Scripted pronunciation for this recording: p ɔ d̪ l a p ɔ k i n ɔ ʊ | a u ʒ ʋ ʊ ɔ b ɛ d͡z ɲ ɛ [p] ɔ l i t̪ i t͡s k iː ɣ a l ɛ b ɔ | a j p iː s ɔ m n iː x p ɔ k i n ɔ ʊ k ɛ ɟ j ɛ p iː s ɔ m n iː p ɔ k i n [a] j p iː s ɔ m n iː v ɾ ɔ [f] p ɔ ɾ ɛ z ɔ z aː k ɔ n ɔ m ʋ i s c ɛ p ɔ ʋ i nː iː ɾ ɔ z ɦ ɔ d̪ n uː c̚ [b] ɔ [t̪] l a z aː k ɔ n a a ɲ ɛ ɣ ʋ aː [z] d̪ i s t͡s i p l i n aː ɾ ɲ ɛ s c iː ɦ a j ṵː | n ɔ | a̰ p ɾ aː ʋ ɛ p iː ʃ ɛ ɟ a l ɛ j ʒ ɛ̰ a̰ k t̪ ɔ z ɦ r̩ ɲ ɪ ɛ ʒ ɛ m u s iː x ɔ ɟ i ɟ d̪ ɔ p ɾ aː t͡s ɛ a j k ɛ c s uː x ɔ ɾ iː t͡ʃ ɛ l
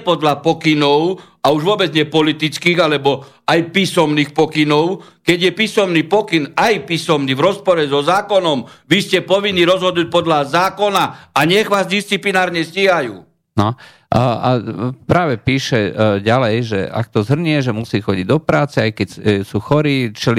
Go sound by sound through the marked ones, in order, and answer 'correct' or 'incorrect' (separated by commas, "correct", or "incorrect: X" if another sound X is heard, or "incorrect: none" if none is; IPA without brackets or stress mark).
correct, correct, incorrect: s, incorrect: p, incorrect: d̪, correct